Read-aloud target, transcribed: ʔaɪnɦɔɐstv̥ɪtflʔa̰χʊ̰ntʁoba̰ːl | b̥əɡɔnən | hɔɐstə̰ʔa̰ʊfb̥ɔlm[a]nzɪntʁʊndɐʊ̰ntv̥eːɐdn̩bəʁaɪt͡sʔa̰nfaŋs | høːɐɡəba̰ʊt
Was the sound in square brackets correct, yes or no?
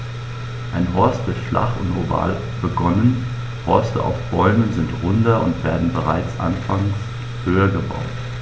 no